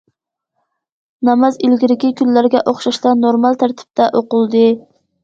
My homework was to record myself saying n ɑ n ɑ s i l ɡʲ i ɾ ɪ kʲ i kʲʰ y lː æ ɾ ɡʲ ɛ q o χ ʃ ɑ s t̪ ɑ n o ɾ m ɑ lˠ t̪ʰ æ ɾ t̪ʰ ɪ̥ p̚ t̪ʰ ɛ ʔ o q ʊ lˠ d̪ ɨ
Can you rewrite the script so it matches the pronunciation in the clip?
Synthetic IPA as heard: n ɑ m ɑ z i l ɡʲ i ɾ ɪ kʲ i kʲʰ y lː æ ɾ ɡʲ ɛ ʔ o χ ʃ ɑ ʃ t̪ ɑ n o ɾ m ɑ lˠ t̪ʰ æ ɾ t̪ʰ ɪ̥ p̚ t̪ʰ ɛ ʔ o q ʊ lˠ d̪ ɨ